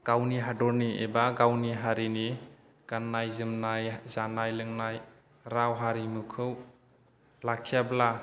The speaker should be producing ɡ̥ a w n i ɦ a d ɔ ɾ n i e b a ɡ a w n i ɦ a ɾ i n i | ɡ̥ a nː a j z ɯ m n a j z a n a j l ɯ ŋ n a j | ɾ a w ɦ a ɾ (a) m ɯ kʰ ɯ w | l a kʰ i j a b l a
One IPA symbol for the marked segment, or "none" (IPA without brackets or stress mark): i